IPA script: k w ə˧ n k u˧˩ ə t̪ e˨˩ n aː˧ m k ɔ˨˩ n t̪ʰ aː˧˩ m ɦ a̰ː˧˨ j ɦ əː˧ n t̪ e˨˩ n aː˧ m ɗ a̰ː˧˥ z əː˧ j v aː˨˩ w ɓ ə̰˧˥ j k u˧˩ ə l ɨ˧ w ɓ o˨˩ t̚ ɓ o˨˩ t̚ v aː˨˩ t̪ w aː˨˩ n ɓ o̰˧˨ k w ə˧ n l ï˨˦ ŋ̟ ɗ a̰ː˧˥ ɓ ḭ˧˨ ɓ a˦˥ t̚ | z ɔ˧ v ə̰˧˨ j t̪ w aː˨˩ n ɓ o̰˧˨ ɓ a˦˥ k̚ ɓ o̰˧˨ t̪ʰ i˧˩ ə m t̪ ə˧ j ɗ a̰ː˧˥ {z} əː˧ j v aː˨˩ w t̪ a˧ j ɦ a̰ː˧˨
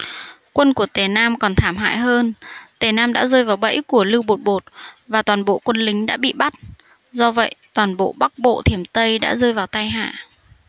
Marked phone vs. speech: correct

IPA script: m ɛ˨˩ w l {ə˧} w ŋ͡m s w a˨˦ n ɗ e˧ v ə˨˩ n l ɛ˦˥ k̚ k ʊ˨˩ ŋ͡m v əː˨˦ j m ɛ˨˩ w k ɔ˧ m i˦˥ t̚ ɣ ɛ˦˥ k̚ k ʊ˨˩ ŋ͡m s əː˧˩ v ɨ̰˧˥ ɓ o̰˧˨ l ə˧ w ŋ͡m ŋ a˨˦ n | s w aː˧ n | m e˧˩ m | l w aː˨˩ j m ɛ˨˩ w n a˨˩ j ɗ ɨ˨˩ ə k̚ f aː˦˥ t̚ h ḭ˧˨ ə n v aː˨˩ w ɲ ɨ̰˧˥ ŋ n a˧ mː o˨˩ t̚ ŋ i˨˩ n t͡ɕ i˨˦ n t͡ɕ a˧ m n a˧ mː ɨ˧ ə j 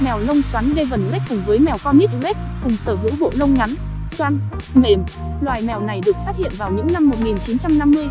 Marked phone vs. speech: correct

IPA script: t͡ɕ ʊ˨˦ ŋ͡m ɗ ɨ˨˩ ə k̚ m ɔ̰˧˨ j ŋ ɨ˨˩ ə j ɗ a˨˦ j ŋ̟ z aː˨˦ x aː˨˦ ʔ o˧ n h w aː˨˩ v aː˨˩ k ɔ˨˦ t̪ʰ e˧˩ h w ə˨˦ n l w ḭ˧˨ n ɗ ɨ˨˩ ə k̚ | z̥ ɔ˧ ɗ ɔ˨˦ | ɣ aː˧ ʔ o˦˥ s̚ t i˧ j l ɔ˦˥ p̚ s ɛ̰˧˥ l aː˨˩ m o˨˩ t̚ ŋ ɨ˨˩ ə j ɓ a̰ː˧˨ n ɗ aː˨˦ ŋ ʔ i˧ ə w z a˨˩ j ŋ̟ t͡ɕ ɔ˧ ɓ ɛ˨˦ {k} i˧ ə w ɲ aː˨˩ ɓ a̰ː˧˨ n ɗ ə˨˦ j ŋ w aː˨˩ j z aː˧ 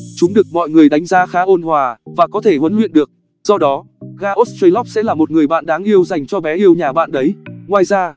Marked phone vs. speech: incorrect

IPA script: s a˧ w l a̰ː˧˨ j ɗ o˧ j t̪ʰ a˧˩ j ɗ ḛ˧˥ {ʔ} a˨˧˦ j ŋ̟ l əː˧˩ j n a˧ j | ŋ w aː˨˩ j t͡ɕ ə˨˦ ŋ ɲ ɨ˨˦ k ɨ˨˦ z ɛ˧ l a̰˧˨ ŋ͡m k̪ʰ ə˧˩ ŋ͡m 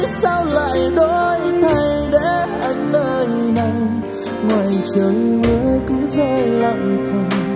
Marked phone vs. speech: correct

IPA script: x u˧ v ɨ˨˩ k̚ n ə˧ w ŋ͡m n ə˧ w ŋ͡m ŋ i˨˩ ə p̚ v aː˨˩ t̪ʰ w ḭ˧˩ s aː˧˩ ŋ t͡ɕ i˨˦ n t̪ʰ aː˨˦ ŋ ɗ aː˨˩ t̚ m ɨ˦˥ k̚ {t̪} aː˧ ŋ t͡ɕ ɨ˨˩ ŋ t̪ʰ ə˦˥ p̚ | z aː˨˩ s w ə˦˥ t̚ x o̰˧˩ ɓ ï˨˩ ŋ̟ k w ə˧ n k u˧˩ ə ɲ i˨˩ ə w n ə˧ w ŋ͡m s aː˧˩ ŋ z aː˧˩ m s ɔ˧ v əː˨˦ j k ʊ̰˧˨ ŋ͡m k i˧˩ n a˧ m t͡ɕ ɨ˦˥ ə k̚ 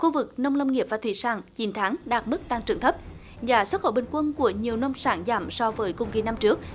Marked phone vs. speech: correct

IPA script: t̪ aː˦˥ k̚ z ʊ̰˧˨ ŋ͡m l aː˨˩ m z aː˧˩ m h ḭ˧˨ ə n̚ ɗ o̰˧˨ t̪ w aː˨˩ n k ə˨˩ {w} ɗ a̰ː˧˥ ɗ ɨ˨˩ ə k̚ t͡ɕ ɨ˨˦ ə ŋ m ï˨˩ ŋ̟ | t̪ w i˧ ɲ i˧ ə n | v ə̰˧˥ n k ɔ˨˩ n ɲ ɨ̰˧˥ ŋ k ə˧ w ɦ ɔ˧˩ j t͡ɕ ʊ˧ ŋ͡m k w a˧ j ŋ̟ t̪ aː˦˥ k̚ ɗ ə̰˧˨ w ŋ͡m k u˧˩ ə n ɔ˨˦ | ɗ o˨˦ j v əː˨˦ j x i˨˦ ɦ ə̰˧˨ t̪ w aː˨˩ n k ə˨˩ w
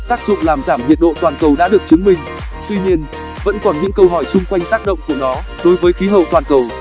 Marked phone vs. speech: correct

